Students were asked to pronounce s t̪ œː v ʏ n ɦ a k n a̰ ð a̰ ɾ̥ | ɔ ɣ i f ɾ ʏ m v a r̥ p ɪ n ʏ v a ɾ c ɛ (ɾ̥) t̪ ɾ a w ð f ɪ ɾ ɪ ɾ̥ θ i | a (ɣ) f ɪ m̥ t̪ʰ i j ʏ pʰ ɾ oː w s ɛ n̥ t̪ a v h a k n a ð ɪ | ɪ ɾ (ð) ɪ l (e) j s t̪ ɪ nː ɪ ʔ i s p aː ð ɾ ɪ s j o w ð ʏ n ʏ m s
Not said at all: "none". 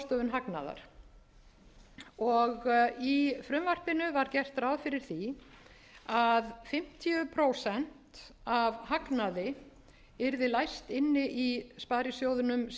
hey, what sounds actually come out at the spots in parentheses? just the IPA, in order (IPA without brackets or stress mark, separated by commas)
r̥, ð, ð, a